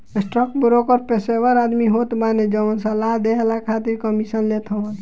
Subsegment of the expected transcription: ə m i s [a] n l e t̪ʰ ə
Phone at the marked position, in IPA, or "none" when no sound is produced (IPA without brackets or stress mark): ə